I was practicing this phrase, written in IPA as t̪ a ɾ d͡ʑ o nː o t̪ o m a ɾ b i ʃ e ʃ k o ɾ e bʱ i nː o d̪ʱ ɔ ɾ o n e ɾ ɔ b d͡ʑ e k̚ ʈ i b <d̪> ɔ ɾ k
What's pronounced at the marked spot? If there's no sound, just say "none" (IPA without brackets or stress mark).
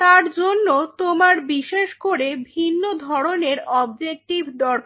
d̪